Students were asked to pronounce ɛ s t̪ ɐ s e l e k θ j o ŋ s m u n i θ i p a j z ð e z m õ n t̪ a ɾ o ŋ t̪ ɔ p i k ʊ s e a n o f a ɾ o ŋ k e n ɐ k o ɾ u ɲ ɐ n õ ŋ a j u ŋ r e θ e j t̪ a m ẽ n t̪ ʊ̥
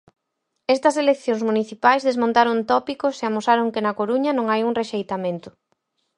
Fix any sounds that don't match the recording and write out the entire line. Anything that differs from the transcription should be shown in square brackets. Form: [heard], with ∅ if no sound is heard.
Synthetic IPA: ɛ s t̪ ɐ s e l e k θ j o ŋ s m u n i θ i p a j z ð e z m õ n t̪ a ɾ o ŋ t̪ ɔ p i k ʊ s e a [m] o [s] a ɾ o ŋ k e n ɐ k o ɾ u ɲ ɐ n õ ŋ a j u ŋ r e [ʃ] e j t̪ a m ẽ n t̪ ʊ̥